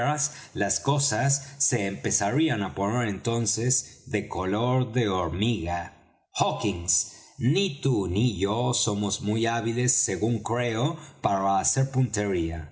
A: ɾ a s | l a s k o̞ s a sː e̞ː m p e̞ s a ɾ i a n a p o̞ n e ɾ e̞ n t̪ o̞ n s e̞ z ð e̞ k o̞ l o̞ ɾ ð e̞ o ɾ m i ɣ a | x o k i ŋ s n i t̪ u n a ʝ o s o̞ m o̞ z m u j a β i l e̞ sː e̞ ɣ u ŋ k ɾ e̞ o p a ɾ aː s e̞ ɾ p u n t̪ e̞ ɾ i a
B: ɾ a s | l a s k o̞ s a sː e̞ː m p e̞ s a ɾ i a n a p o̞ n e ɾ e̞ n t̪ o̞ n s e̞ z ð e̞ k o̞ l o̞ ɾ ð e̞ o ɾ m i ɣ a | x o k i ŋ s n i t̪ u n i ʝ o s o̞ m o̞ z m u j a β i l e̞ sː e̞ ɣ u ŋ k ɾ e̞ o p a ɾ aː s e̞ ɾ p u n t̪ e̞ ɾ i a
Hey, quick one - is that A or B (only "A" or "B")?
B